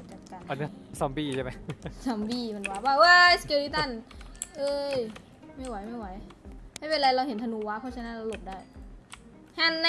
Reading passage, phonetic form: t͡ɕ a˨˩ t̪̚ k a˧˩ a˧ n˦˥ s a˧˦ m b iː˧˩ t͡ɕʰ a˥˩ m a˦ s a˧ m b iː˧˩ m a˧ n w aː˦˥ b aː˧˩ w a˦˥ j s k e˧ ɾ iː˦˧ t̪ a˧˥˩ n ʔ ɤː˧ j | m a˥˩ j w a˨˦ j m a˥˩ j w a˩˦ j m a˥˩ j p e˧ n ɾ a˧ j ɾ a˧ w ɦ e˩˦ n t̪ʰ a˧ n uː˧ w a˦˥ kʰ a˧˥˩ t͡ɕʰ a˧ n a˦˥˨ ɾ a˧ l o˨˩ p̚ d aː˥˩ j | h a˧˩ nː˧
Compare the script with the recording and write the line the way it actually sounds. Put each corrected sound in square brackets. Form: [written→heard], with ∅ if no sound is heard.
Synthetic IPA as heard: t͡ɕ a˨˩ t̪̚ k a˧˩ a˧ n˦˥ s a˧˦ m b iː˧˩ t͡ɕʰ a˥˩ m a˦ s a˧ m b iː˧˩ m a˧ n w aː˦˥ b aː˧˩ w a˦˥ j s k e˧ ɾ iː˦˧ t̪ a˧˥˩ n ʔ ɤː˧ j | m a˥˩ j w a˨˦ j m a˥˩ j w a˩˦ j m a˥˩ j p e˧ n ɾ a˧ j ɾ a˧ w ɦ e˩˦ n t̪ʰ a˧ n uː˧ w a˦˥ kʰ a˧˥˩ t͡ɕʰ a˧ n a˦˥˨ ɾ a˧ l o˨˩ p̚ d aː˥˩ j | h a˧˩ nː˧